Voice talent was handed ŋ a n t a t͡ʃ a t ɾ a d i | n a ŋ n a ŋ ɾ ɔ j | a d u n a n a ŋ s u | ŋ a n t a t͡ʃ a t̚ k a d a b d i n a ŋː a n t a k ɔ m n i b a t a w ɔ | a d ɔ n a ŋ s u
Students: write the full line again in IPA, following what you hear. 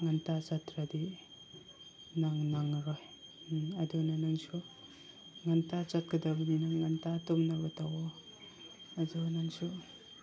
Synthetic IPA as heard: ŋ a n t a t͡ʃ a t ɾ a d i | n a ŋ n a ŋ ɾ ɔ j | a d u n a n a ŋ s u | ŋ a n t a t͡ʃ a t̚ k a d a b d i n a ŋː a n t a t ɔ m n a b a t a w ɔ | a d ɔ n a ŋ s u